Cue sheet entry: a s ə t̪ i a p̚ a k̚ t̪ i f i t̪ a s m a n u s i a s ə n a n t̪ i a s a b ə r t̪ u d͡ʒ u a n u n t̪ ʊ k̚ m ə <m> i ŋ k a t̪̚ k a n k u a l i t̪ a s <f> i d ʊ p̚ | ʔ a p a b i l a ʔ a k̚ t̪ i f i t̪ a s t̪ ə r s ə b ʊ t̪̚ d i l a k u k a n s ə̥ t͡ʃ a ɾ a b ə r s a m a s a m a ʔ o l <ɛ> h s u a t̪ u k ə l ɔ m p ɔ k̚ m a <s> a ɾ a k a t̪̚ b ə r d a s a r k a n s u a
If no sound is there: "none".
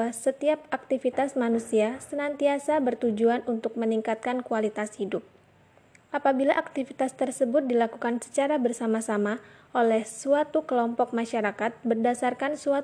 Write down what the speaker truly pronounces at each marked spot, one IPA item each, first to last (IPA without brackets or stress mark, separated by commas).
n, h, ɛ, ʃ